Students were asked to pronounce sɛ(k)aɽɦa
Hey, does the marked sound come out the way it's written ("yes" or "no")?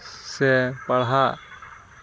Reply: no